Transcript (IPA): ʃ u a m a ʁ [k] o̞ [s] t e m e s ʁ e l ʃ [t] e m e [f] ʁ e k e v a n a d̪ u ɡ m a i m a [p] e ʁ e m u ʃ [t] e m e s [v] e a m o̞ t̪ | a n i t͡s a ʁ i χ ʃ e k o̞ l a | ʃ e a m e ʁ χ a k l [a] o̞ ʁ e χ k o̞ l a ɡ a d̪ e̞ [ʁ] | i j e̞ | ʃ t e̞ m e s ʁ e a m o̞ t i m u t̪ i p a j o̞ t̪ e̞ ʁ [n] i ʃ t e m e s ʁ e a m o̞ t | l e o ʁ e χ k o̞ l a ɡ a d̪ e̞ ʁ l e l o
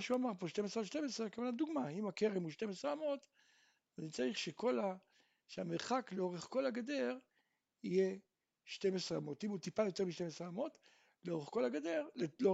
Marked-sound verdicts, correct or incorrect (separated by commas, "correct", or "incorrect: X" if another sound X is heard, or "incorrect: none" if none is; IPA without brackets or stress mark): incorrect: p, incorrect: ʃ, correct, incorrect: s, incorrect: k, correct, incorrect: ʁ, incorrect: e, correct, incorrect: m